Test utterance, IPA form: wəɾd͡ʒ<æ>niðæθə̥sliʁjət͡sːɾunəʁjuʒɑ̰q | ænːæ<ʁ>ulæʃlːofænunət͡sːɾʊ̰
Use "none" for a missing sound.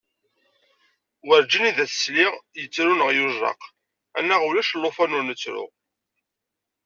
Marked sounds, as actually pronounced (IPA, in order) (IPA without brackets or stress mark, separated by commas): i, ʁ